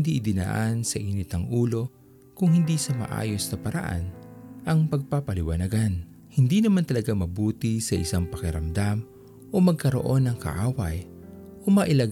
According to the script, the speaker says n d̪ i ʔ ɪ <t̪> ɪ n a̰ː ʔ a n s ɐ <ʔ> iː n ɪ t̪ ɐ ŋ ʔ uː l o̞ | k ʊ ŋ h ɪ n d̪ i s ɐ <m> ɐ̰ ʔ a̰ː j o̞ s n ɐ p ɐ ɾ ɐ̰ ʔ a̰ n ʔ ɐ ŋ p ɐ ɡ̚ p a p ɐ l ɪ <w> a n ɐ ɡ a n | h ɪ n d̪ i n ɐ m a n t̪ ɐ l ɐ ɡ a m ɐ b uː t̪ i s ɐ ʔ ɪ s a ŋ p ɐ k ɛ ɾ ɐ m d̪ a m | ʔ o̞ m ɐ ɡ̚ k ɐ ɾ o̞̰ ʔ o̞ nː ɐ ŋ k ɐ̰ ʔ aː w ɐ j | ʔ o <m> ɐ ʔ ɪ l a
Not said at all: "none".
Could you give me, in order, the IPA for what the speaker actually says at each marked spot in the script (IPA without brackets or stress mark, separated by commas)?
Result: d̪, ʔ, m, w, m